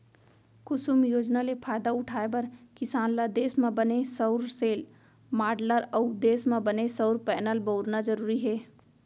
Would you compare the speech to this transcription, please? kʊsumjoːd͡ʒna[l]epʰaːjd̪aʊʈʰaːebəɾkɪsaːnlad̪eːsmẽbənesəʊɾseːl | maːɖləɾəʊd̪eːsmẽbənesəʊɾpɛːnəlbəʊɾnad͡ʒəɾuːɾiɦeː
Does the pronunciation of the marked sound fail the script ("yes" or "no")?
no